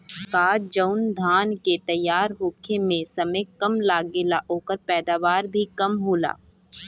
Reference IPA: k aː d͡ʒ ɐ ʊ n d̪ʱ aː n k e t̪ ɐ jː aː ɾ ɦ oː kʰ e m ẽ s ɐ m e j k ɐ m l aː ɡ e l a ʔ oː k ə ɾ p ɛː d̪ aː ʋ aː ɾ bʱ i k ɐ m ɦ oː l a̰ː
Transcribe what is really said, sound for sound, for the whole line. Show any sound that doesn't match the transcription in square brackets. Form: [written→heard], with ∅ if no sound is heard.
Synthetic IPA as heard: k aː d͡ʒ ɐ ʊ n d̪ʱ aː n k e t̪ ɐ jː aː ɾ ɦ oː kʰ e m ẽ s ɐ m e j k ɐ m l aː ɡ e l a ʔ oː k ə ɾ p ɛː d̪ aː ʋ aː ɾ bʱ i k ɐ m ɦ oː l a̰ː